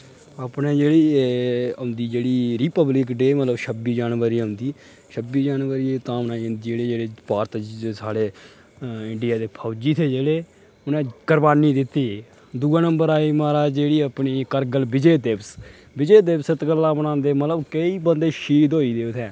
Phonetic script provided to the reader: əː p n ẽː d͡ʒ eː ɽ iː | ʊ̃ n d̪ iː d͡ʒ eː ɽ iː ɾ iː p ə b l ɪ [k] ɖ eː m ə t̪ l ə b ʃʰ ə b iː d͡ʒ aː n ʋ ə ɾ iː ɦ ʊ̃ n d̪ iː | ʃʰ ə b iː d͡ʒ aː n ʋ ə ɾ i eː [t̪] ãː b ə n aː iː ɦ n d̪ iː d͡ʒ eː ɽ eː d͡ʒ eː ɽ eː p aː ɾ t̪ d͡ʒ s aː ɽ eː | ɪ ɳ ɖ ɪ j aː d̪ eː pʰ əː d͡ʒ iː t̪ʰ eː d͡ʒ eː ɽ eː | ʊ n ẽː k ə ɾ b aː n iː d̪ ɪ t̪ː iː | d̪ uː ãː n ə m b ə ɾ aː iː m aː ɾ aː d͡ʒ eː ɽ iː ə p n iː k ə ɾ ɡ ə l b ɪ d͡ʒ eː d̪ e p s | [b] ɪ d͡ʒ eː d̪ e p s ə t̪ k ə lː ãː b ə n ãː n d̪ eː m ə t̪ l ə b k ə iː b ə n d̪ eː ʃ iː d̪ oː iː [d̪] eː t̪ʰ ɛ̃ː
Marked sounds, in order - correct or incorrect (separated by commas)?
correct, correct, correct, correct